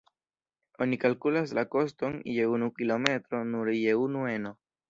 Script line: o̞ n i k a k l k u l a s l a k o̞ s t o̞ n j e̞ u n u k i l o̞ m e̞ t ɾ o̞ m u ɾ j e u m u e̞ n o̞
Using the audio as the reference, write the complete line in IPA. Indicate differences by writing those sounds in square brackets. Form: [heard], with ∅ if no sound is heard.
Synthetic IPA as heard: o̞ n i k a [∅] l k u l a s l a k o̞ s t o̞ n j e̞ u n u k i l o̞ m e̞ t ɾ o̞ [n] u ɾ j e u [n] u e̞ n o̞